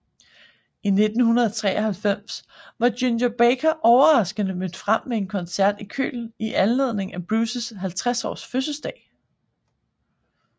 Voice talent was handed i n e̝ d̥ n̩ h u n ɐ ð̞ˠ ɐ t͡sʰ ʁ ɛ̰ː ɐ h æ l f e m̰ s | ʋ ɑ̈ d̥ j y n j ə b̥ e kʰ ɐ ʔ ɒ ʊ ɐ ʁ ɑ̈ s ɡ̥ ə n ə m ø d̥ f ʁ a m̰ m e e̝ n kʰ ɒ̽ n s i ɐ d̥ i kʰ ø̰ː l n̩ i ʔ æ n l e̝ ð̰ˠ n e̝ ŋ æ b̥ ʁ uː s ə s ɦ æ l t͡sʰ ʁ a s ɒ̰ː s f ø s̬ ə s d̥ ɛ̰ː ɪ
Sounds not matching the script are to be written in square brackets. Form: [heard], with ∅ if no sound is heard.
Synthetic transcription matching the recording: i n e̝ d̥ n̩ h u n ɐ ð̞ˠ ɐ t͡sʰ ʁ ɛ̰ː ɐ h æ l f e m̰ s | ʋ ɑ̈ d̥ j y n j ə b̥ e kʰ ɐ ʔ ɒ ʊ ɐ ʁ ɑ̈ s ɡ̥ ə n ə m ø d̥ f ʁ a m̰ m e e̝ n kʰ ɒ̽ n s [æ] ɐ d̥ i kʰ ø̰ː l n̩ i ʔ æ n l e̝ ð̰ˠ n e̝ ŋ æ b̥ ʁ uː s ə s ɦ æ l t͡sʰ ʁ a s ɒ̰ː s f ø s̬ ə s d̥ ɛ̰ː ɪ